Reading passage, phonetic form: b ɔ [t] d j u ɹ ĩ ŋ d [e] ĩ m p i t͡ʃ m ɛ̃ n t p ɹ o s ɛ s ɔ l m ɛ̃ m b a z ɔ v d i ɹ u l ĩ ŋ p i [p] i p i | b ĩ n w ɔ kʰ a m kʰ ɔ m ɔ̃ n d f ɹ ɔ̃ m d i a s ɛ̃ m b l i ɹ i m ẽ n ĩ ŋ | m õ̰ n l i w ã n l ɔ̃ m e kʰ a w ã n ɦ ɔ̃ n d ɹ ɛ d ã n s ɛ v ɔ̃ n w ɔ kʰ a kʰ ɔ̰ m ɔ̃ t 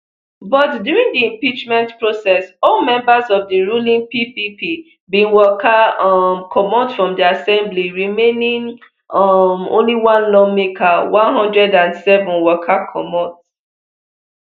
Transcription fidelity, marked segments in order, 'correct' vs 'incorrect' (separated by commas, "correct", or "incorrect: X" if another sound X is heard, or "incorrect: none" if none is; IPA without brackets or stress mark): correct, incorrect: i, correct